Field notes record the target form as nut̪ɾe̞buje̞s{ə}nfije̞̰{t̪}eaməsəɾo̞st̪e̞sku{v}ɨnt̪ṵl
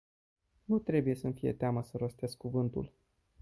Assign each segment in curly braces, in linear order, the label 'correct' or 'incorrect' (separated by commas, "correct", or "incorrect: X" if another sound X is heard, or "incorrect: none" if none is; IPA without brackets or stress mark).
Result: correct, correct, correct